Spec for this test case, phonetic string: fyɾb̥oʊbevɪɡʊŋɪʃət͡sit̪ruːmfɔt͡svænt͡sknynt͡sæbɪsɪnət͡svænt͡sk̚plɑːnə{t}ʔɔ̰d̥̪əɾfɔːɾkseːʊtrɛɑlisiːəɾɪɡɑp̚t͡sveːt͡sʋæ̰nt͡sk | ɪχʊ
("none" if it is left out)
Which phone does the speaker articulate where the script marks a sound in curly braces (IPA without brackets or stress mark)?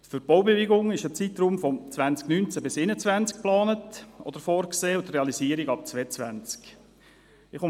t